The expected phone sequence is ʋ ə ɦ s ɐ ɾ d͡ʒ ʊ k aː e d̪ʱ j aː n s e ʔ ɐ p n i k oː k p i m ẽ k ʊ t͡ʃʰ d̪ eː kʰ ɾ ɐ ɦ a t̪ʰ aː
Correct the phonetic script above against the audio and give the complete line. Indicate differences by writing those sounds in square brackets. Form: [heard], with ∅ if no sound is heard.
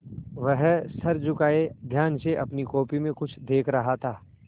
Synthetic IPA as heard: ʋ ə ɦ s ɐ ɾ d͡ʒ ʊ k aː e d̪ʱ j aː n s e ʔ ɐ p n i k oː [∅] p i m ẽ k ʊ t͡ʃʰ d̪ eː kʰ ɾ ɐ ɦ a t̪ʰ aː